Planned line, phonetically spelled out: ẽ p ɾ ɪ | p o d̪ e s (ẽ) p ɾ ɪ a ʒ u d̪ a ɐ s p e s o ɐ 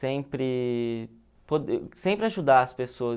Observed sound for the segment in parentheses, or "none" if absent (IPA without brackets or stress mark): ẽ